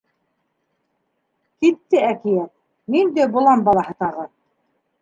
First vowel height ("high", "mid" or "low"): high